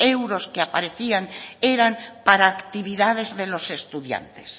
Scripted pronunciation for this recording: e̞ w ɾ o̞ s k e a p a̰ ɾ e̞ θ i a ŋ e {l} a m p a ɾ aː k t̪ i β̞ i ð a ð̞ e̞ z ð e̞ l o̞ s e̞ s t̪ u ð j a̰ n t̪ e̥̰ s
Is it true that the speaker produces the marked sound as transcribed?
no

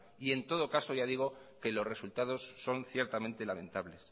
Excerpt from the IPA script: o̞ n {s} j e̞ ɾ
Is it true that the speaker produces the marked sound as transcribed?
no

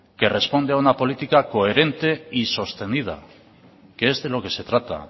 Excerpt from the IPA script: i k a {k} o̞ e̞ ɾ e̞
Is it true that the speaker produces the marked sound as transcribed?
yes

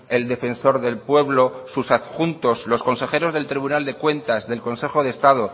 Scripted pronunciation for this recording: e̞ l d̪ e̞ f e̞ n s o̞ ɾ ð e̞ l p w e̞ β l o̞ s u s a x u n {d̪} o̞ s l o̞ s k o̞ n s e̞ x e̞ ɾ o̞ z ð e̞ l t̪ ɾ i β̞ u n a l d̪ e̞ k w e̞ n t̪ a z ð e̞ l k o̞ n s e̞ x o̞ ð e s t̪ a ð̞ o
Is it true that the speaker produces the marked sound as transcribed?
no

